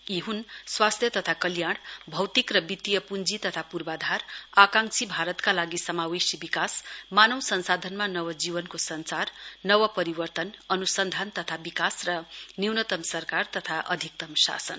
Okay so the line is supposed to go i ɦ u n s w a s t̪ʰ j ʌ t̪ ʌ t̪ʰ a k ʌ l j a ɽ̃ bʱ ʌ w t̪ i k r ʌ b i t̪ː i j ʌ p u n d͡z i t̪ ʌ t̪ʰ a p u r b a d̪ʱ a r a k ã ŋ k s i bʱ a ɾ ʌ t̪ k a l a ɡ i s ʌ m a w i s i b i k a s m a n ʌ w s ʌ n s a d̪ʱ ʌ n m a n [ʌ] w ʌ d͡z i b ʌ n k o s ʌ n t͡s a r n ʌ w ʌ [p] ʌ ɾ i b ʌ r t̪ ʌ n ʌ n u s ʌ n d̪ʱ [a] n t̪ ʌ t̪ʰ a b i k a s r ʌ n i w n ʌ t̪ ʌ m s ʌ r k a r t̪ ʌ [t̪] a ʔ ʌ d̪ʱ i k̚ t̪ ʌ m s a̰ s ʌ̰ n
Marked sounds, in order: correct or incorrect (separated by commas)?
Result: correct, correct, correct, incorrect